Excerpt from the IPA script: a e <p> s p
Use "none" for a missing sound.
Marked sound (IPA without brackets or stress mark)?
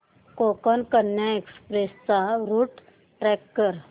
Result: k